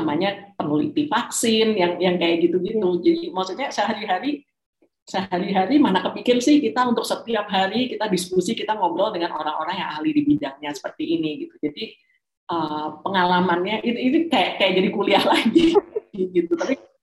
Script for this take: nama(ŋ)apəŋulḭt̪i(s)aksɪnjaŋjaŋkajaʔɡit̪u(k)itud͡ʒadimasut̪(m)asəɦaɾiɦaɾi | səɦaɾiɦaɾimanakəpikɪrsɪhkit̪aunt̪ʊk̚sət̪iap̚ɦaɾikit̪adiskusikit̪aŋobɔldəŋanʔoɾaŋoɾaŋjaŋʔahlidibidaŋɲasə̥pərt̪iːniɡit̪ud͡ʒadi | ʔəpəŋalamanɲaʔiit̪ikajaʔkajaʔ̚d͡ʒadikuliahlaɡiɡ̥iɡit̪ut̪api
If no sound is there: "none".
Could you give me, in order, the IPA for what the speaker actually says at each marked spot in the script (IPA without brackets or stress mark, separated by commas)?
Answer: ɲ, f, ɡ, ɲ